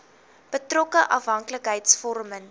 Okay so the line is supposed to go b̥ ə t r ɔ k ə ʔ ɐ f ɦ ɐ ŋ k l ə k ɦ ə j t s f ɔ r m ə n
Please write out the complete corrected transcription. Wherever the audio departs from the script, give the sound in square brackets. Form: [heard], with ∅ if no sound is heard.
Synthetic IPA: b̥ ə t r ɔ k ə ʔ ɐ f ɦ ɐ ŋ k l ə k ɦ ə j t s f ɔ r m ə n